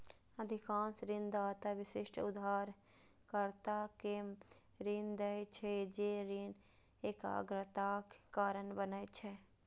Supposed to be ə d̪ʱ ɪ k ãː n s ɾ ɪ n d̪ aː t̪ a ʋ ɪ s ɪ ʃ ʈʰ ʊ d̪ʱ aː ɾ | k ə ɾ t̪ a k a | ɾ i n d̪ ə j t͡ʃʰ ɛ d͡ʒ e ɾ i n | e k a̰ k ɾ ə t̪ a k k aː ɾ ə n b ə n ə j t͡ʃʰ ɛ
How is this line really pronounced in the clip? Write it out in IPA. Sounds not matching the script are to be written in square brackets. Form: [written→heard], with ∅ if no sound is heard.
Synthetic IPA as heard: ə d̪ʱ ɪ k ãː n s ɾ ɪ n d̪ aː t̪ a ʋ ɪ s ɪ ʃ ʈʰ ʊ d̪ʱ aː ɾ | k ə ɾ t̪ a k [a→e] | ɾ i n d̪ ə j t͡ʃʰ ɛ d͡ʒ e ɾ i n | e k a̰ [k→ɡ] ɾ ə t̪ a k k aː ɾ ə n b ə n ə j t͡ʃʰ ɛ

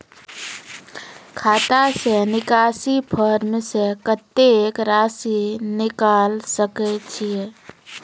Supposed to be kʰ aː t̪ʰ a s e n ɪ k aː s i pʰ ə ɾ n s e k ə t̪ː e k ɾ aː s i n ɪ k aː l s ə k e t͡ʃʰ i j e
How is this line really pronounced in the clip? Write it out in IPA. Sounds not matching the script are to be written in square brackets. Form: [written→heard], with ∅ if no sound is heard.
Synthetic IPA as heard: kʰ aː [t̪ʰ→t̪] a s e n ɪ k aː s i pʰ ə ɾ [n→m] s e k ə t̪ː e k ɾ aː s i n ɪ k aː l s ə k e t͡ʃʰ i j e

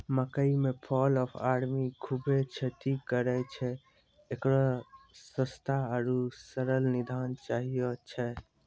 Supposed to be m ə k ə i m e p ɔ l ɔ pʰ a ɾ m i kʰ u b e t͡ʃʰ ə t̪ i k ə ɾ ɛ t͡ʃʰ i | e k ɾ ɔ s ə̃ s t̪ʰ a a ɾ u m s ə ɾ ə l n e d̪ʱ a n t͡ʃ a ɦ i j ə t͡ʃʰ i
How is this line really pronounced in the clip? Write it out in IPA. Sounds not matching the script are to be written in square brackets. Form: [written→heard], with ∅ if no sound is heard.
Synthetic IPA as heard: m ə k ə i m e [p→pʰ] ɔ l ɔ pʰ a ɾ m i kʰ u b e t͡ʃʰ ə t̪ i k ə ɾ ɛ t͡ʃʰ [i→ɛ] | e k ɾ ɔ s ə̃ s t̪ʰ a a ɾ u [m→∅] s ə ɾ ə l n [e→i] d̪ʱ a n t͡ʃ a ɦ i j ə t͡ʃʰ [i→ɛ]

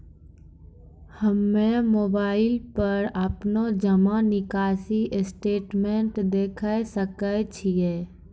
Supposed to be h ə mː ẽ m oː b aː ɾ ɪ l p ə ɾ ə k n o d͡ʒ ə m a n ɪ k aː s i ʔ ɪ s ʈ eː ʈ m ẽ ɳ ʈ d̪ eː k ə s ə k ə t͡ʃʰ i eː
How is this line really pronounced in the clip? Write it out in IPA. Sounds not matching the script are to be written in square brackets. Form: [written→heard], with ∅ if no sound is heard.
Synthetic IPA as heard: h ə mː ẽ m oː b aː [ɾ→∅] ɪ l p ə ɾ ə [k→p] n o d͡ʒ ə m a n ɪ k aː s i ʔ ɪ s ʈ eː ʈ m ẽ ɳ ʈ d̪ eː [k→kʰ] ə s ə k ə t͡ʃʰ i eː

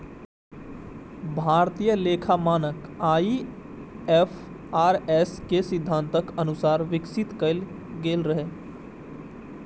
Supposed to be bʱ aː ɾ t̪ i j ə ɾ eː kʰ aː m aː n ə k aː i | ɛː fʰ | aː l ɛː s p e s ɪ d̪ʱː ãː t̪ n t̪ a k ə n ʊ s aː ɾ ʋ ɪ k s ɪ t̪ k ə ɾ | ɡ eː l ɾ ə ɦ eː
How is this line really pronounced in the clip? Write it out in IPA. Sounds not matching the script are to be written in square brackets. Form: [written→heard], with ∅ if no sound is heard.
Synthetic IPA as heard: bʱ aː ɾ t̪ i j ə [ɾ→l] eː kʰ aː m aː n ə k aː i | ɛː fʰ | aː [l→ɾ] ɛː s [p→k] e s ɪ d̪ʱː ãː [t̪→∅] n t̪ [a→ə] k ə n ʊ s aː ɾ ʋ ɪ k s ɪ t̪ k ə [ɾ→l] | ɡ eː l ɾ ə ɦ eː

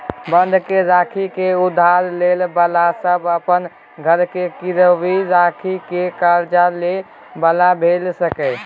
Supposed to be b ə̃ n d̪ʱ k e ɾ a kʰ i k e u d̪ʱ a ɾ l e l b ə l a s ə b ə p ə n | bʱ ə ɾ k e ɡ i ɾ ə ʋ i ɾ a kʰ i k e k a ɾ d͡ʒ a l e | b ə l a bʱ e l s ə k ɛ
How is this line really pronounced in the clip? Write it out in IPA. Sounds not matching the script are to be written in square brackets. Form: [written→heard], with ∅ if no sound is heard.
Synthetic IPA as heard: b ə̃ n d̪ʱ k e ɾ a kʰ i k e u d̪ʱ a ɾ l e l b ə l a s ə b ə p ə n | [bʱ→ɡʱ] ə ɾ k e [ɡ→k] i ɾ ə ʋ i ɾ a kʰ i k e k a ɾ d͡ʒ a l e | b ə l a bʱ e l s ə k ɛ

